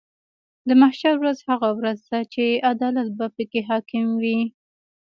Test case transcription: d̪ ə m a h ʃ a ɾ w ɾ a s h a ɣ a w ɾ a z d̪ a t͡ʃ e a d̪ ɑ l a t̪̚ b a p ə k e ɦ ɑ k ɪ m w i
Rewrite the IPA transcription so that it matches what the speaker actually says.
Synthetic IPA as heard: d̪ ə m a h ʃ a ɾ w ɾ a z h a ɣ a w ɾ a z d̪ a t͡ʃ e a d̪ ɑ l a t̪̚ b a p ə k e ɦ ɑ k ɪ m w i